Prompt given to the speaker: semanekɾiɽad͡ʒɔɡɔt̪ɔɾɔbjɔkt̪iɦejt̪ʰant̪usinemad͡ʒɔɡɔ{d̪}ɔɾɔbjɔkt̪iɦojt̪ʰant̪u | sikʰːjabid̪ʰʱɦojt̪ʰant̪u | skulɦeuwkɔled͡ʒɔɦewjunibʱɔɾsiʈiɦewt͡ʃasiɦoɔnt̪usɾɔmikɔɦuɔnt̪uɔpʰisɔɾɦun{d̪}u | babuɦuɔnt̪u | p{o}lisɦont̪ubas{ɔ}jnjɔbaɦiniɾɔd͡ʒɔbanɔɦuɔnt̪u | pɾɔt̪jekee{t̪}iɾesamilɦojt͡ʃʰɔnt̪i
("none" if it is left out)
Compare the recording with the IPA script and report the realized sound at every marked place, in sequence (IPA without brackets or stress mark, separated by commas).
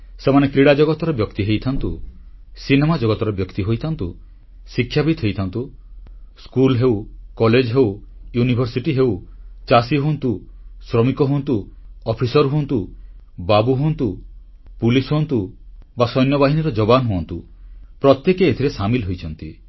t̪, t̪, u, ɔ, t̪ʰ